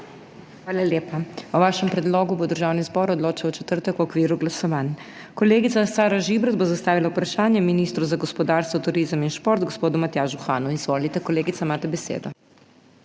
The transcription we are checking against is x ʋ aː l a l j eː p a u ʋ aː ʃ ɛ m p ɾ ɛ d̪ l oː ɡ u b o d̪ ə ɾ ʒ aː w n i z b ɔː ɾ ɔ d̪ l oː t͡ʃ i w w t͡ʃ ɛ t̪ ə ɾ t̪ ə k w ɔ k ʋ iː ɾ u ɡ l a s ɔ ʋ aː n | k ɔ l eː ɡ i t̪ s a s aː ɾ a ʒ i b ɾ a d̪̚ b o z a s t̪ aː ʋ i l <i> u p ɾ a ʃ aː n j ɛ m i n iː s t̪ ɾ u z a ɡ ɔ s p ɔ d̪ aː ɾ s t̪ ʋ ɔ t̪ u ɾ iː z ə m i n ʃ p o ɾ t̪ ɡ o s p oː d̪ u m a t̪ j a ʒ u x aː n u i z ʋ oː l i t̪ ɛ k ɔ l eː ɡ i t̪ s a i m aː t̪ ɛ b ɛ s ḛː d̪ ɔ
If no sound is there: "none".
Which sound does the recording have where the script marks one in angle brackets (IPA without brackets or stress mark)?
a